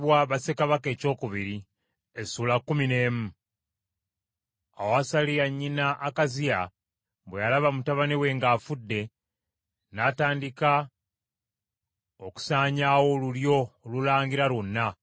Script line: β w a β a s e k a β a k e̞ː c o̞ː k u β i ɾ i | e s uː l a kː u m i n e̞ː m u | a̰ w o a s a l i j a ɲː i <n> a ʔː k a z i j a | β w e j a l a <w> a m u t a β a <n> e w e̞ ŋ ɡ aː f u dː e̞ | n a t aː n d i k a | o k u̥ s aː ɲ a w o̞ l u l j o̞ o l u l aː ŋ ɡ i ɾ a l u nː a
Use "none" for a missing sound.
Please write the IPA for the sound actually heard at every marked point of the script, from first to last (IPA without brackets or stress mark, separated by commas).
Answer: n, β, n